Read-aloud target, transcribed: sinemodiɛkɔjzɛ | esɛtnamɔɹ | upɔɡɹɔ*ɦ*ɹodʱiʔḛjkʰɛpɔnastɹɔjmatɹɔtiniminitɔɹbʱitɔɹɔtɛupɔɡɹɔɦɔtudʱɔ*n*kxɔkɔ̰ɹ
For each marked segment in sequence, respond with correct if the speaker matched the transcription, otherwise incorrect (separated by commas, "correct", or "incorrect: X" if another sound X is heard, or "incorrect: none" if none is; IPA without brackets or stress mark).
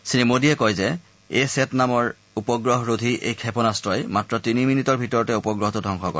correct, incorrect: ŋ